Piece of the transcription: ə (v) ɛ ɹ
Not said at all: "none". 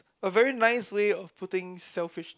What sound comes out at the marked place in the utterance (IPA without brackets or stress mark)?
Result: v